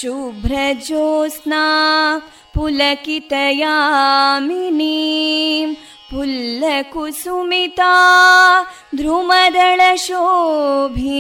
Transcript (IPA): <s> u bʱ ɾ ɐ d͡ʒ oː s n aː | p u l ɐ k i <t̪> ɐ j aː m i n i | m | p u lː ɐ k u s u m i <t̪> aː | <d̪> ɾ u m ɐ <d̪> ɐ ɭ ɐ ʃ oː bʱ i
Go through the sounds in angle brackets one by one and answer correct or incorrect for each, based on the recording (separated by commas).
incorrect, correct, correct, correct, correct